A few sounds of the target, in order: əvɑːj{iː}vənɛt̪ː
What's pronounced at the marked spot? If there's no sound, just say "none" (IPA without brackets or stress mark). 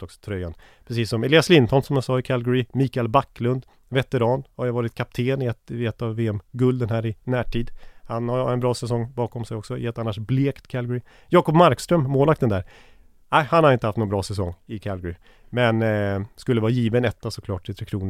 iː